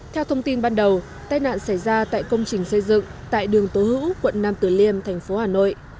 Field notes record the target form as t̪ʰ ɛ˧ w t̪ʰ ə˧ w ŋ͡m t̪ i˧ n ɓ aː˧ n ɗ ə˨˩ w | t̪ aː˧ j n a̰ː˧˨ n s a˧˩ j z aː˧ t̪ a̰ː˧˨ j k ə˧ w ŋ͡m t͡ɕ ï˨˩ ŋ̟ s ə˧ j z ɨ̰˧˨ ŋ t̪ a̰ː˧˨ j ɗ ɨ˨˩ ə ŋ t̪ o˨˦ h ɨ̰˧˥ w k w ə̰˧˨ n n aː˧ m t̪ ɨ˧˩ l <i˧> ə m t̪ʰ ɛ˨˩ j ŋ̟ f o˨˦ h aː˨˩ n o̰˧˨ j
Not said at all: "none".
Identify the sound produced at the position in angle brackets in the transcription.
i˧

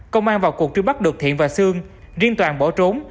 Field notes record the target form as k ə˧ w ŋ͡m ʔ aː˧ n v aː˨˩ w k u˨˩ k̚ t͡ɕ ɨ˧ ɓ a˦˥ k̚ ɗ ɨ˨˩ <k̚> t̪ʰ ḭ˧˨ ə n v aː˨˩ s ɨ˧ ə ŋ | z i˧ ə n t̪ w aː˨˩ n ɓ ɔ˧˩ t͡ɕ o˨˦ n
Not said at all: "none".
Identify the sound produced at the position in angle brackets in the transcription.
k̚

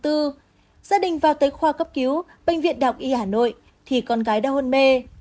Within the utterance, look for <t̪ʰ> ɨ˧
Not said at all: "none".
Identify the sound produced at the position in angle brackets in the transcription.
t̪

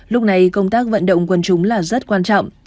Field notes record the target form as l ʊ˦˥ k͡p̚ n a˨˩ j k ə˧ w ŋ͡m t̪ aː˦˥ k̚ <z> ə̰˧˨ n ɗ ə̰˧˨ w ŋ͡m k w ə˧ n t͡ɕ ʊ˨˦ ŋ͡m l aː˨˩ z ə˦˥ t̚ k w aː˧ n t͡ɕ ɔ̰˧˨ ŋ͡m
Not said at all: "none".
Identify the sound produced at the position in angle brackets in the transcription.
v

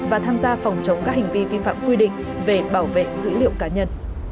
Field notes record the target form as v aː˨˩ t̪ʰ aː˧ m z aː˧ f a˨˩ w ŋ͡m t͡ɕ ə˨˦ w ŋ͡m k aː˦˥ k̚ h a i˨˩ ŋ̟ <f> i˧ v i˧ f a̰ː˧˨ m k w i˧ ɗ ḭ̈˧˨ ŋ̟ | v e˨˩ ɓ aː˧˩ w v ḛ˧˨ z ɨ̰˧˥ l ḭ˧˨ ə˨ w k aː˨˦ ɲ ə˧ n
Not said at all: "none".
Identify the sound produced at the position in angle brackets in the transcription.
v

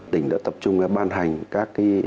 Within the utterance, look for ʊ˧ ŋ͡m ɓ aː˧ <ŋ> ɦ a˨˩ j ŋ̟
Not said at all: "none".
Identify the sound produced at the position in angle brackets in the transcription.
n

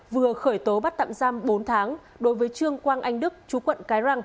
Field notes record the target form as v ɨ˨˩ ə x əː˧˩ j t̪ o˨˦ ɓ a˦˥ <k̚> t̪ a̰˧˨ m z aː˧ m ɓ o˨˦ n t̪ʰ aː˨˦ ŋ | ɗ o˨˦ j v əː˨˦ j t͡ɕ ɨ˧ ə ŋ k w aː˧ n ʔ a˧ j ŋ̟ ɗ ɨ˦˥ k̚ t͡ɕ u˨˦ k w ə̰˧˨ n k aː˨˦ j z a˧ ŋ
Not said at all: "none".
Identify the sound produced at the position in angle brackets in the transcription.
t̚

